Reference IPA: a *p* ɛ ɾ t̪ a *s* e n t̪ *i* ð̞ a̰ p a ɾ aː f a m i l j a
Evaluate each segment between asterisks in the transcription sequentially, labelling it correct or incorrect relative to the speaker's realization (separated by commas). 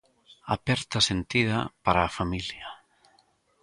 correct, correct, correct